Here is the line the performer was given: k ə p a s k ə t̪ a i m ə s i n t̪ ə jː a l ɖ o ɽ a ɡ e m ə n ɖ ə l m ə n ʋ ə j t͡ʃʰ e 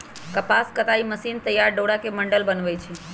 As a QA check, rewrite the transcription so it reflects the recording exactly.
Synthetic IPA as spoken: k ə p a s k ə t̪ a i m ə s i n t̪ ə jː a ɾ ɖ o ɽ a k e m ə ɳ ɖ ə l b ə n ʋ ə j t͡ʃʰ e